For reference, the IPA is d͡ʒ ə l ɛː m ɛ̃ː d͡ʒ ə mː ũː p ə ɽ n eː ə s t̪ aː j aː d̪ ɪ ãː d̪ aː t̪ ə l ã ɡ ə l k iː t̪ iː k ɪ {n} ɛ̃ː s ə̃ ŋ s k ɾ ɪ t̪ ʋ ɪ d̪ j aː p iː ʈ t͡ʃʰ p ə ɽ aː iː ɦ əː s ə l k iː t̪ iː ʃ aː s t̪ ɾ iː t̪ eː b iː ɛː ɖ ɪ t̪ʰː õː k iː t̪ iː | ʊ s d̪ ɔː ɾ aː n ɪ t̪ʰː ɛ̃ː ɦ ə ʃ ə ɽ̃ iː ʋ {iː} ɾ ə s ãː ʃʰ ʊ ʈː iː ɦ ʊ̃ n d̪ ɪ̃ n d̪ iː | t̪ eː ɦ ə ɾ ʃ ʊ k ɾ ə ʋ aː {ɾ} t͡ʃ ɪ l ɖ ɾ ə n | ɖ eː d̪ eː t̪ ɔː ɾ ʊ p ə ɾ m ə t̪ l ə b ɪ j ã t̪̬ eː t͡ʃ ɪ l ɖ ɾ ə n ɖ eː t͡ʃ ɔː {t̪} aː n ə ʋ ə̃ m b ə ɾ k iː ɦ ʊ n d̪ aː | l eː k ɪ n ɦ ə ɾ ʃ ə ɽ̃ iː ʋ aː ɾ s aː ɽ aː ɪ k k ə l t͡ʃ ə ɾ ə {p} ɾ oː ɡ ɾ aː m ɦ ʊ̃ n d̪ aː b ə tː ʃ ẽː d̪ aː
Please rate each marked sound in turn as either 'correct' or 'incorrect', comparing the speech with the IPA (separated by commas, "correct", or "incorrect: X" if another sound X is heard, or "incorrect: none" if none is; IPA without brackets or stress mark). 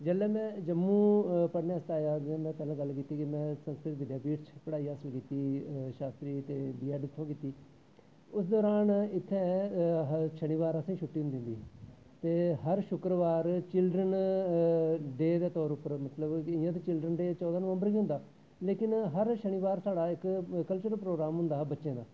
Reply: incorrect: m, incorrect: aː, correct, incorrect: d̪, correct